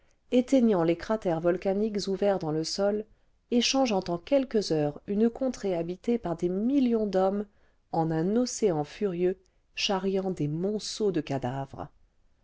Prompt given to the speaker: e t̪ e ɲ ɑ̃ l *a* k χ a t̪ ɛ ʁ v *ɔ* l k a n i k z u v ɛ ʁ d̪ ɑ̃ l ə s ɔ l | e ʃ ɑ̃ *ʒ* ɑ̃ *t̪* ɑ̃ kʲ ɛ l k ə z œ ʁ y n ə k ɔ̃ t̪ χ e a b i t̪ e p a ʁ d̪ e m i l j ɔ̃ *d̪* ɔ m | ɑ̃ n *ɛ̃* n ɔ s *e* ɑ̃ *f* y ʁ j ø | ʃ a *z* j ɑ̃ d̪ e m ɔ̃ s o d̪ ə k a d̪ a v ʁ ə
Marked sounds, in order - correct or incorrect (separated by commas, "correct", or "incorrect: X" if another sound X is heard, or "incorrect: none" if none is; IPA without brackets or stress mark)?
incorrect: e, correct, correct, correct, correct, correct, correct, correct, incorrect: ʁ